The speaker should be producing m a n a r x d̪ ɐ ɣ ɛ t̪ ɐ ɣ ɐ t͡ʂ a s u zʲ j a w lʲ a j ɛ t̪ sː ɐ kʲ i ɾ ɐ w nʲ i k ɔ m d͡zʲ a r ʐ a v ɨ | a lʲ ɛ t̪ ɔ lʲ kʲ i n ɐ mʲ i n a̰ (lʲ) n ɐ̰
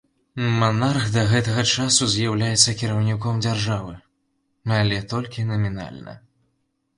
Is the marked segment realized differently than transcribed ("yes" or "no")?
no